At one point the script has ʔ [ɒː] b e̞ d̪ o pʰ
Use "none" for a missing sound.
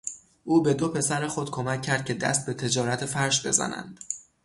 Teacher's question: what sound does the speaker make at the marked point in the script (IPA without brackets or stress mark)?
uː